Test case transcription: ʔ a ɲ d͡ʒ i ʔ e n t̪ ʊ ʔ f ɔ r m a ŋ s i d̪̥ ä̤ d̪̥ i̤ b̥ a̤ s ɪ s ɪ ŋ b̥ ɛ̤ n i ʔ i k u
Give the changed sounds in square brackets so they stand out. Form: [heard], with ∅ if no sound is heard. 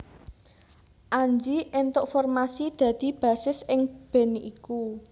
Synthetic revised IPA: ʔ a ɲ d͡ʒ i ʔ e n t̪ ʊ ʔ f ɔ r m a [∅] s i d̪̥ ä̤ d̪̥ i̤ b̥ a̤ s ɪ s ɪ ŋ b̥ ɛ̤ n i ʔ i k u